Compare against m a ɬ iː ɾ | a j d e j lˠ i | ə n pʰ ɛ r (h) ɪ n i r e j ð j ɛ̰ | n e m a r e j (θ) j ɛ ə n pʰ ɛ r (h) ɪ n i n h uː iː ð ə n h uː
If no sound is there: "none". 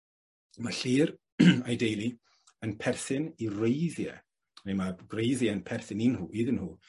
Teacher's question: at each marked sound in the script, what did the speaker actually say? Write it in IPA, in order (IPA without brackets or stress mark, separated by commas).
θ, ð, θ